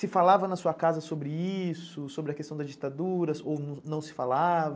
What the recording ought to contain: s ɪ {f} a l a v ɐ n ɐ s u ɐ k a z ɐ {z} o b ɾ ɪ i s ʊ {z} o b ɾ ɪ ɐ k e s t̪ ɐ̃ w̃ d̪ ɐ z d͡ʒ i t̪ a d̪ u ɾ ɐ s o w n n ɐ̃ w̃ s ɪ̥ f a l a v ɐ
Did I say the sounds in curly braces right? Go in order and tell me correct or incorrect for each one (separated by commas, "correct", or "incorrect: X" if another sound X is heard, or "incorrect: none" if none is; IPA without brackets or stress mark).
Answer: correct, incorrect: s, incorrect: s